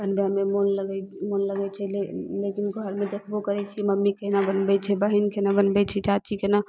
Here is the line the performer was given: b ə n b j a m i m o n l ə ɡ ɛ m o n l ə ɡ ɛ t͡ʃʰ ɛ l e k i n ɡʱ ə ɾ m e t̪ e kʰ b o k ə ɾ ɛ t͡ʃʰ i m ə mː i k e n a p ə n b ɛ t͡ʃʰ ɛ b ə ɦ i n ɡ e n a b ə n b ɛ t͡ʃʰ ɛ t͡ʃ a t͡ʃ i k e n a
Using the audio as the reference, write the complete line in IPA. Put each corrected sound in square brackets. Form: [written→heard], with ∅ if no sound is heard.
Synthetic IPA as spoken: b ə n b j a m [i→e] m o n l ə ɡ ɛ m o n l ə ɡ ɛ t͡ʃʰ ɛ l e k i n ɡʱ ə ɾ m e [t̪→d̪] e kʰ b o k ə ɾ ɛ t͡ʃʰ i m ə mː i k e n a [p→b] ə n b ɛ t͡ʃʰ ɛ b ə ɦ i n [ɡ→k] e n a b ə n b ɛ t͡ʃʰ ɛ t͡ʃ a t͡ʃ i k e n a